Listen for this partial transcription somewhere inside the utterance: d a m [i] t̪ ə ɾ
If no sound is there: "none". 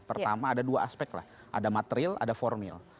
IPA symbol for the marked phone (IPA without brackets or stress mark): a